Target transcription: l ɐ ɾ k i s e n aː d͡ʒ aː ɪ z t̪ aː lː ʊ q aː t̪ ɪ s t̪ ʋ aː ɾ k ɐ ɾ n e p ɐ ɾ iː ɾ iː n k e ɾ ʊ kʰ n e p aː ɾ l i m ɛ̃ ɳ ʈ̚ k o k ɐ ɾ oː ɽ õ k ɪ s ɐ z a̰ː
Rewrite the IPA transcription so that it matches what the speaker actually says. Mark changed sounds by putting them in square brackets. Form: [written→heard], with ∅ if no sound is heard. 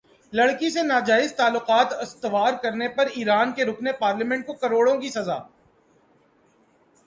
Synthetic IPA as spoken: l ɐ [ɾ→ɽ] k i s e n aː d͡ʒ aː ɪ z t̪ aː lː ʊ q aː t̪ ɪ s t̪ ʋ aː ɾ k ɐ ɾ n e p ɐ ɾ iː ɾ [iː→aː] n k e ɾ ʊ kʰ n e p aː ɾ l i m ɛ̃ ɳ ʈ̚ k o k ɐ ɾ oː ɽ õ k [ɪ→i] s ɐ z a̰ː